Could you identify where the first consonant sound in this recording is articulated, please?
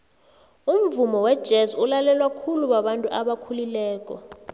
labial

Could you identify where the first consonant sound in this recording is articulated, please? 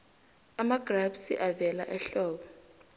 labial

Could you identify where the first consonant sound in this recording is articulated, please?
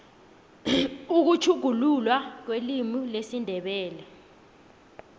velar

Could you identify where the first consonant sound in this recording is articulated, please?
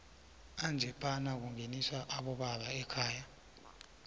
alveolar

